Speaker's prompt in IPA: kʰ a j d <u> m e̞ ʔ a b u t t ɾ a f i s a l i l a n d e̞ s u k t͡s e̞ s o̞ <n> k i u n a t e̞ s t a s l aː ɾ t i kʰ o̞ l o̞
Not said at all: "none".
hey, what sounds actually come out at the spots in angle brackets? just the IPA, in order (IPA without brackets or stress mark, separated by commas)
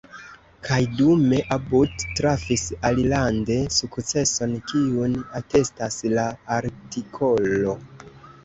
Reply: u, n